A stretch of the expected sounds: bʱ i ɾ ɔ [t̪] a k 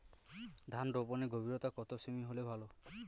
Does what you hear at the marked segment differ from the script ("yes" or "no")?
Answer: no